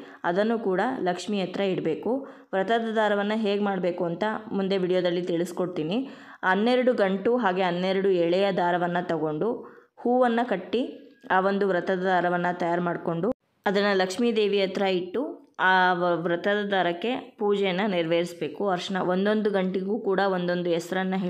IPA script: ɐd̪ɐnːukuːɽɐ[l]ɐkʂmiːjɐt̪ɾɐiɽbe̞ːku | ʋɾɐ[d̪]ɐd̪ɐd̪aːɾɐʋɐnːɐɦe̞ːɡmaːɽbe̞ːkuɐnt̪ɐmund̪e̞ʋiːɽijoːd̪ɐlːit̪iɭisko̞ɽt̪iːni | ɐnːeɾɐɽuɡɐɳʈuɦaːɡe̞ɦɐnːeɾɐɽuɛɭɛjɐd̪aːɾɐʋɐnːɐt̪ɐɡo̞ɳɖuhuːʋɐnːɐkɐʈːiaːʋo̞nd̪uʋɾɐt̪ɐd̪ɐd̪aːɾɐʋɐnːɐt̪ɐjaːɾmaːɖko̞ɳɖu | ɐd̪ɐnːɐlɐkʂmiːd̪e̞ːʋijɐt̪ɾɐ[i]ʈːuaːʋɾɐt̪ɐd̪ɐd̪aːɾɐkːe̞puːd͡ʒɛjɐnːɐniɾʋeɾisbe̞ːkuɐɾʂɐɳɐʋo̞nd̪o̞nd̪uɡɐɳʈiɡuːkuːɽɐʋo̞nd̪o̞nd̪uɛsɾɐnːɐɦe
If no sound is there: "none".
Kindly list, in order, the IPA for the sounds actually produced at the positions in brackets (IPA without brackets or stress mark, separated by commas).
l, t̪, i